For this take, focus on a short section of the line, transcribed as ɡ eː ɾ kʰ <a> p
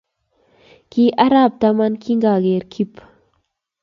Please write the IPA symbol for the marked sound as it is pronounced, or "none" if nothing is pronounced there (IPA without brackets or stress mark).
i